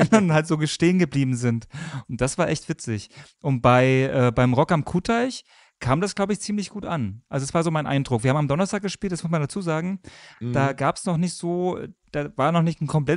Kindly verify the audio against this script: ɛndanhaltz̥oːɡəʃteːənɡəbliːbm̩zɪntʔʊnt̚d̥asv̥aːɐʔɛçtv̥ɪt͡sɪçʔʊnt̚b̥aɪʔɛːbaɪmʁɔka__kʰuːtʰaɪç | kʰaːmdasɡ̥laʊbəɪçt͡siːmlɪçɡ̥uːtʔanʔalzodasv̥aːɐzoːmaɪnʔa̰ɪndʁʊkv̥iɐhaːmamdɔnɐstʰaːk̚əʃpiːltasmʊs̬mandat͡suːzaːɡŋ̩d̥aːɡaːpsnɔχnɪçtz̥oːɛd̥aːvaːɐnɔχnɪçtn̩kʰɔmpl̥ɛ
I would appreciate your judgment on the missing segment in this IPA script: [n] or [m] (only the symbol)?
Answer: m